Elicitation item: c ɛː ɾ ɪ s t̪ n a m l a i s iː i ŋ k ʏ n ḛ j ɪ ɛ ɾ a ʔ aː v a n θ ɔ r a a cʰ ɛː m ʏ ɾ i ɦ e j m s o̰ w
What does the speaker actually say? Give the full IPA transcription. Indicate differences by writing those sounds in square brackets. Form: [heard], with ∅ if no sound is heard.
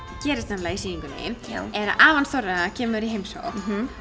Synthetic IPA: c ɛː ɾ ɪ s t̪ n a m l a i s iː i ŋ k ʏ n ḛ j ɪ ɛ ɾ a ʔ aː v a n θ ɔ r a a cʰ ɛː m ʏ ɾ i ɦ e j m s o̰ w